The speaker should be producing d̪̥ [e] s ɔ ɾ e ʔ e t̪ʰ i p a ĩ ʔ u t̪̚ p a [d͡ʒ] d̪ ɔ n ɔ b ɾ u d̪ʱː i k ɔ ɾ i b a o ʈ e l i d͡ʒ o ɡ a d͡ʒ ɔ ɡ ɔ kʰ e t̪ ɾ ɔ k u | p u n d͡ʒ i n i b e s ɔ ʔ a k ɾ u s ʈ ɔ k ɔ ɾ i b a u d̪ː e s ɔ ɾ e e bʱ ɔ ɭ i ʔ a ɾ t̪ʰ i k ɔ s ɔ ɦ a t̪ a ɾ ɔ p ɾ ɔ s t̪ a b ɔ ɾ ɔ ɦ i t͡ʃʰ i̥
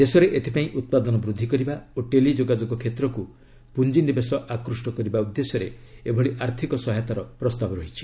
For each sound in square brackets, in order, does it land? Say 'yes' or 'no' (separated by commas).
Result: yes, no